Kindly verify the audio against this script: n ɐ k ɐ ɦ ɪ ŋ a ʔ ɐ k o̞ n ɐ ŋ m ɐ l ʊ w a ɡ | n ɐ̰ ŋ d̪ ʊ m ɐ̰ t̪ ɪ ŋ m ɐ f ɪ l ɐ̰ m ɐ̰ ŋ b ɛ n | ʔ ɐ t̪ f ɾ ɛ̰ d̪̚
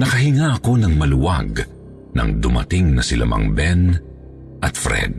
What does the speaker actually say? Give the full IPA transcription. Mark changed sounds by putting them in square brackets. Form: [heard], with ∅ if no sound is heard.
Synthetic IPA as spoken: n ɐ k ɐ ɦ ɪ ŋ a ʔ ɐ k o̞ n ɐ ŋ m ɐ l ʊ w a ɡ | n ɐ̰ ŋ d̪ ʊ m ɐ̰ t̪ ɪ ŋ [n] ɐ [s] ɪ l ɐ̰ m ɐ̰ ŋ b ɛ n | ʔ ɐ t̪ f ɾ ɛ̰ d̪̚